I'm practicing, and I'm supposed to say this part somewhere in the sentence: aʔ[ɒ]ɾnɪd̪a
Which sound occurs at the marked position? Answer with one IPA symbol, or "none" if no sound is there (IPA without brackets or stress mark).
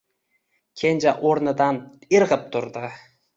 o